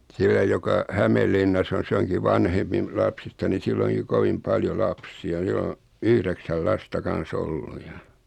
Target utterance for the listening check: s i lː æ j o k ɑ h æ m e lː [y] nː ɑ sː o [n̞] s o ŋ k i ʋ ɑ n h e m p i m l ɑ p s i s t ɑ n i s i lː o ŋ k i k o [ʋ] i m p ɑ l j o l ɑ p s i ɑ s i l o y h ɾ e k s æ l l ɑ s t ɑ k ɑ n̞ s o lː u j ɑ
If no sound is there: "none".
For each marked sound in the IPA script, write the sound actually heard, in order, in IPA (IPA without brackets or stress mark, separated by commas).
i, n̞, ʋ